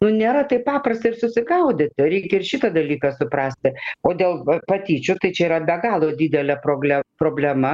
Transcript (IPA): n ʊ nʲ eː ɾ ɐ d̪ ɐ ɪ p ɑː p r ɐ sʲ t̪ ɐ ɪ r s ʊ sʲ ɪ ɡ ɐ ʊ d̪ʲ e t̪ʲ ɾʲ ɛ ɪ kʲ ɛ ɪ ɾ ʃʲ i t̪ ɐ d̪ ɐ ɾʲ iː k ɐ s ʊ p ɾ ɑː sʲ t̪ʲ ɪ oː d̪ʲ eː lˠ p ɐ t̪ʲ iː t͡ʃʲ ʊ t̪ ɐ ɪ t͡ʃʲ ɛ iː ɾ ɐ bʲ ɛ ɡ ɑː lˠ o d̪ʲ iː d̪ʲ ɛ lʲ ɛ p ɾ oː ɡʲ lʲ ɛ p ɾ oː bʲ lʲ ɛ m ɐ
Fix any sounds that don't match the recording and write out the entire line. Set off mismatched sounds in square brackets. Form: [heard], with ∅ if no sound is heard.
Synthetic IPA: n ʊ nʲ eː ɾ ɐ [t̪] ɐ ɪ p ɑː p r ɐ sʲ t̪ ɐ ɪ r s ʊ sʲ ɪ ɡ ɐ ʊ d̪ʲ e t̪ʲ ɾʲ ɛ ɪ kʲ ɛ ɪ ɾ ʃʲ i t̪ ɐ d̪ ɐ [lʲ] iː k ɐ s ʊ p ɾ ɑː sʲ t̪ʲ ɪ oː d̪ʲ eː lˠ p ɐ t̪ʲ iː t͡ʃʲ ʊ t̪ ɐ ɪ t͡ʃʲ ɛ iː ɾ ɐ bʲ ɛ ɡ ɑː lˠ o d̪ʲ iː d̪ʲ ɛ lʲ ɛ p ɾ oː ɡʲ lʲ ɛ p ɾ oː bʲ lʲ ɛ m ɐ

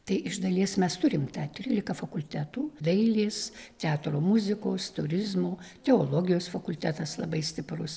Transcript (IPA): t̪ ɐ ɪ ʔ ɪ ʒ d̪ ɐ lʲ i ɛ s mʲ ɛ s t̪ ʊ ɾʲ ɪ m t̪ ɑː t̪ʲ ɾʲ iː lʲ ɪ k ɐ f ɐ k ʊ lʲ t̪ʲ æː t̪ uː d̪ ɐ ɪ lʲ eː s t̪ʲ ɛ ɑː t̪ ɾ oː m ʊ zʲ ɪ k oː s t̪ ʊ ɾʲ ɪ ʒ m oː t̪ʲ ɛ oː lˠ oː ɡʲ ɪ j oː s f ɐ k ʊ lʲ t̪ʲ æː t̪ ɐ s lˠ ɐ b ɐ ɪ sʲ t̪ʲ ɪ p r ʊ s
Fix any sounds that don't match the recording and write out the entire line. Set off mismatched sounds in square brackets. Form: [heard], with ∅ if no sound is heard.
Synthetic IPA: t̪ ɐ ɪ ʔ ɪ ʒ d̪ ɐ lʲ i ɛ s mʲ ɛ s t̪ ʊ ɾʲ ɪ m t̪ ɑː t̪ʲ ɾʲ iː lʲ ɪ k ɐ f ɐ k ʊ lʲ t̪ʲ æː t̪ uː d̪ ɐ ɪ lʲ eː s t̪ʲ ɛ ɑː t̪ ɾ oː m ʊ zʲ ɪ k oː s t̪ ʊ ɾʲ ɪ [z] m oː t̪ʲ ɛ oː lˠ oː ɡʲ ɪ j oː s f ɐ k ʊ lʲ t̪ʲ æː t̪ ɐ s lˠ ɐ b ɐ ɪ sʲ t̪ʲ ɪ p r ʊ s

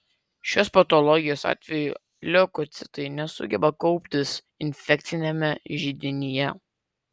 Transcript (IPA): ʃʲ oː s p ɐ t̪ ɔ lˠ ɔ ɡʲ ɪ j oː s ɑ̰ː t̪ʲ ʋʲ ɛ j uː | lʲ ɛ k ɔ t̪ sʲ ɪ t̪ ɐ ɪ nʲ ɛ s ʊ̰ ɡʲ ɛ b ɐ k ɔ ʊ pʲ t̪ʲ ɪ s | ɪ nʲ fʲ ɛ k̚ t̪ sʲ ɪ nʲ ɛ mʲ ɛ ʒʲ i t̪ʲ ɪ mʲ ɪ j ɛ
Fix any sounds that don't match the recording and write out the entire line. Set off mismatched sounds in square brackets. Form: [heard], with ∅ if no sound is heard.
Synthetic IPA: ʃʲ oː s p ɐ t̪ ɔ lˠ ɔ ɡʲ ɪ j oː s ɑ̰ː t̪ʲ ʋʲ ɛ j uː | lʲ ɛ k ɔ t̪ sʲ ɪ t̪ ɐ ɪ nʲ ɛ s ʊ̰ ɡʲ ɛ b ɐ k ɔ ʊ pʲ t̪ʲ ɪ s | ɪ nʲ fʲ ɛ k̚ t̪ sʲ ɪ nʲ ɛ mʲ ɛ ʒʲ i [d̪ʲ] ɪ [nʲ] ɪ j ɛ

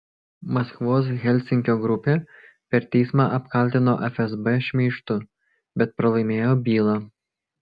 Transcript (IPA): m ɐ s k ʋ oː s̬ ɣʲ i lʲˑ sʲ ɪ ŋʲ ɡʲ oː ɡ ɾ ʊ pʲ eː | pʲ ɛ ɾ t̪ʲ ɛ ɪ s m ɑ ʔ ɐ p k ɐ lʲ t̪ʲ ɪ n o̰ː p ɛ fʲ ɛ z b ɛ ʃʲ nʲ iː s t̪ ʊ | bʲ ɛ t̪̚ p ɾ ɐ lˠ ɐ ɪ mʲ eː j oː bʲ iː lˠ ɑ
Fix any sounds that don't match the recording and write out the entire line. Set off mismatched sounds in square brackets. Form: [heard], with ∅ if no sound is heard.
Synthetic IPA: m ɐ s k ʋ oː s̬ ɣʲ [ɛ] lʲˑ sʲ ɪ ŋʲ [kʲ] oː ɡ ɾ ʊ pʲ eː | pʲ ɛ ɾ t̪ʲ ɛ ɪ s m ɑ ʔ ɐ p k ɐ lʲ t̪ʲ ɪ n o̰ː [ʔ] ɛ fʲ ɛ z b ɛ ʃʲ [mʲ] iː [ʃ] t̪ ʊ | bʲ ɛ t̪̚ p ɾ ɐ lˠ ɐ ɪ mʲ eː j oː bʲ iː lˠ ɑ

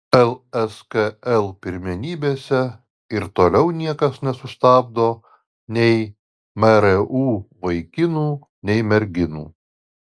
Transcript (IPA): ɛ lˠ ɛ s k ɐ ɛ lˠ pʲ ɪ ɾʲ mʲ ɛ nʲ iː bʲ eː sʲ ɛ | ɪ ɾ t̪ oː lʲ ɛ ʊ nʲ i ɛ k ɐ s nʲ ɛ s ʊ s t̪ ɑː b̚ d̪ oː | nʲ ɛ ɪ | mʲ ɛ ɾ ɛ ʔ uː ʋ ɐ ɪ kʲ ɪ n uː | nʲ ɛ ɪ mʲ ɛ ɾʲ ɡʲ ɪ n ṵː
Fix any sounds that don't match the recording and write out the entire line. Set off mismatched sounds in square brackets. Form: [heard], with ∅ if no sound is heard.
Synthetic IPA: ɛ lˠ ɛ s k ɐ ɛ lˠ pʲ ɪ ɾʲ mʲ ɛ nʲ iː bʲ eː sʲ ɛ | ɪ ɾ t̪ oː lʲ ɛ ʊ nʲ i ɛ k ɐ s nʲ ɛ s ʊ s t̪ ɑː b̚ d̪ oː | nʲ ɛ ɪ | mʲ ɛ ɾ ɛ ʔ uː ʋ ɐ ɪ kʲ ɪ n uː | nʲ ɛ ɪ mʲ ɛ ɾʲ ɡʲ ɪ n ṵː

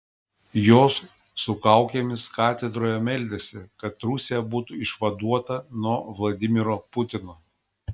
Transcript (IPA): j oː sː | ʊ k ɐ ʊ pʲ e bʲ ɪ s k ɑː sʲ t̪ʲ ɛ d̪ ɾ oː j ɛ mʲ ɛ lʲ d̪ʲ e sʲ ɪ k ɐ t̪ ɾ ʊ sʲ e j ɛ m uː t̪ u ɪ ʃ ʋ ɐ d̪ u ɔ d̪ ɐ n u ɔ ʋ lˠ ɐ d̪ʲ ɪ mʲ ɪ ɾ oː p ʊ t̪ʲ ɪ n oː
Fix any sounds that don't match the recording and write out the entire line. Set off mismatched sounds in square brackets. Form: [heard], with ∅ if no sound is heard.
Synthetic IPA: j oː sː | ʊ k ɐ ʊ [kʲ] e [mʲ] ɪ s k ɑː [∅] t̪ʲ ɛ d̪ ɾ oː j ɛ mʲ ɛ lʲ d̪ʲ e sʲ ɪ k ɐ t̪ ɾ ʊ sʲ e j ɛ [b] uː t̪ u ɪ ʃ ʋ ɐ d̪ u ɔ [t̪] ɐ n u ɔ ʋ lˠ ɐ d̪ʲ ɪ mʲ ɪ ɾ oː p ʊ t̪ʲ ɪ n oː

